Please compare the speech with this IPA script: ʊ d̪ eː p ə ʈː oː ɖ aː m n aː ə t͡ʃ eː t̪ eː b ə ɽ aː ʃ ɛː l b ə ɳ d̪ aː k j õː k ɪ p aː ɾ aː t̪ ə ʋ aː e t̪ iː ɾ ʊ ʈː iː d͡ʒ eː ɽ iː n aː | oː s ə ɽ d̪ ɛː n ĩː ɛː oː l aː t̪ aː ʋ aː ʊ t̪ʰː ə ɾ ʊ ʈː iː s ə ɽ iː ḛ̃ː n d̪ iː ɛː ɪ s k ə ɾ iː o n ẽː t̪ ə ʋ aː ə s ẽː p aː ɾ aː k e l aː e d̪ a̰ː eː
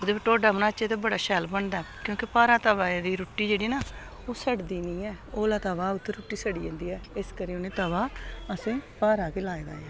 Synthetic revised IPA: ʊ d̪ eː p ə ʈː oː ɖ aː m n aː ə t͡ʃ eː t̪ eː b ə ɽ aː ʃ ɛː l b ə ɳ d̪ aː k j õː k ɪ p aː ɾ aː t̪ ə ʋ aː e d̪ iː ɾ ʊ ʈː iː d͡ʒ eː ɽ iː n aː | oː s ə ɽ d̪ iː n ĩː ɛː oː l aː t̪ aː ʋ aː ʊ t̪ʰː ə ɾ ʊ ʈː iː s ə ɽ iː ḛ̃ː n d̪ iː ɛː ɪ s k ə ɾ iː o n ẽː t̪ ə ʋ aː ə s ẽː p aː ɾ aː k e l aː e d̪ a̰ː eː